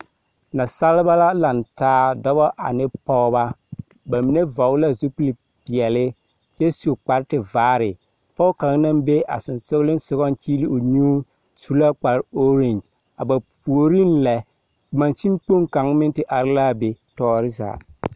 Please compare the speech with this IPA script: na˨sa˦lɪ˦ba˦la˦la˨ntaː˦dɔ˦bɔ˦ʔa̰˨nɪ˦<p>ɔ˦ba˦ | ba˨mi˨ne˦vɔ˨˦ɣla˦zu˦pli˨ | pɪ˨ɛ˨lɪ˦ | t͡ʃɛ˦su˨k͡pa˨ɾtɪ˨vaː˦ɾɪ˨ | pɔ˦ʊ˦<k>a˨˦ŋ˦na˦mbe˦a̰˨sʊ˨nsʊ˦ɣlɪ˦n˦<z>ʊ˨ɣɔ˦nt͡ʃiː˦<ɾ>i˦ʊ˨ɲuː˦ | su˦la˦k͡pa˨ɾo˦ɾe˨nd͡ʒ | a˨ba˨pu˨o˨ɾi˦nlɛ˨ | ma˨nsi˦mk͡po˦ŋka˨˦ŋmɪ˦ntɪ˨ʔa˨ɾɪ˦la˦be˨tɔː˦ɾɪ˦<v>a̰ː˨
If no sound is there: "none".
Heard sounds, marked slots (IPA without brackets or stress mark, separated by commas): p, k, s, l, z